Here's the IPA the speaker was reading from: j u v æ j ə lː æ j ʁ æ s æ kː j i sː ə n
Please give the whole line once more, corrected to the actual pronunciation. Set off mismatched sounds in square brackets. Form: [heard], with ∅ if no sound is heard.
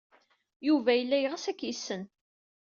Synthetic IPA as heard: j u v æ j ə lː æ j ʁ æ s æ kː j i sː ə n